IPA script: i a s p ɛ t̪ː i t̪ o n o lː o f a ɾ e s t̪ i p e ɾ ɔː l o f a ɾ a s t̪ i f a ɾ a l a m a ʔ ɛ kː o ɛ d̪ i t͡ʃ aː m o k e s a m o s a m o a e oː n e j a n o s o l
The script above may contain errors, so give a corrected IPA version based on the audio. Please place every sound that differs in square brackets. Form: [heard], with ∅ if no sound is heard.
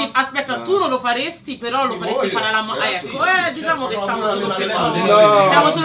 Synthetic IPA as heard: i a s p ɛ t̪ː [a] t̪ [u] n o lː o f a ɾ e s t̪ i p e ɾ [ɔ] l o f a ɾ [e] s t̪ i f a ɾ a l a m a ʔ ɛ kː o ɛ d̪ i t͡ʃ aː m o k e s a m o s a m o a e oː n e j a [m] o s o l